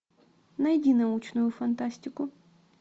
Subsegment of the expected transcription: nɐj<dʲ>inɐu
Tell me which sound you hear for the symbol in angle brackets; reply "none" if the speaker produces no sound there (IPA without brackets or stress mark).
dʲ